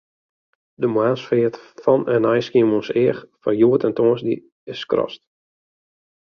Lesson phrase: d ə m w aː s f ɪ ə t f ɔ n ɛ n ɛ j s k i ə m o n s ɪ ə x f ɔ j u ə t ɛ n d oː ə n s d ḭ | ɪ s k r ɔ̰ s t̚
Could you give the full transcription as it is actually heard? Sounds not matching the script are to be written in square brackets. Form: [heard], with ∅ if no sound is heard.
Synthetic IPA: d ə m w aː s f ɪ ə t f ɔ n ɛ n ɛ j s k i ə m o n s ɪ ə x f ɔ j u ə t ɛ n [t] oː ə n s d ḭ | ɪ s k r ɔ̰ s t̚